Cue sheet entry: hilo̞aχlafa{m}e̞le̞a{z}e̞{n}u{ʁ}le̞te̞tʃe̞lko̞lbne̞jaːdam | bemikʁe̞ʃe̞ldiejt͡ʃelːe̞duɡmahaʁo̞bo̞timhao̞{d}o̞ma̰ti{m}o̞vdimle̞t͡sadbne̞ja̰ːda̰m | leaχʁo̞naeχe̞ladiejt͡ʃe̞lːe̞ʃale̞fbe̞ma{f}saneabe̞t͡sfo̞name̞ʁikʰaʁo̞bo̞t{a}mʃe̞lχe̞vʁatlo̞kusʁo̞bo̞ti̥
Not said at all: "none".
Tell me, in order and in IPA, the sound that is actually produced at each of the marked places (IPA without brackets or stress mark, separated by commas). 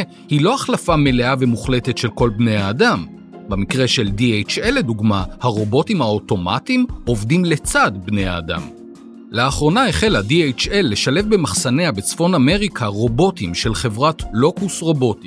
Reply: m, v, m, χ, t, m, χ, i